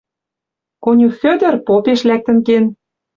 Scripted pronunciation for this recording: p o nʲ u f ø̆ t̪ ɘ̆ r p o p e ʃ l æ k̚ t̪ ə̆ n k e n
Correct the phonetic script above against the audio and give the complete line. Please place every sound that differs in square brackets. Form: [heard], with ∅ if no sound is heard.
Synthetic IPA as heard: [k] o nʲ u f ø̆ [d̪] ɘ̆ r p o p e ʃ l æ k̚ t̪ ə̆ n k e n